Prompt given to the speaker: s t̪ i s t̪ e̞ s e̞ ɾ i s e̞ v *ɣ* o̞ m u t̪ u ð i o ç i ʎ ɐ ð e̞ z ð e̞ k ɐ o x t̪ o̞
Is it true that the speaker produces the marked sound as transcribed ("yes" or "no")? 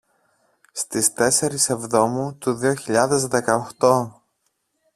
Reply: no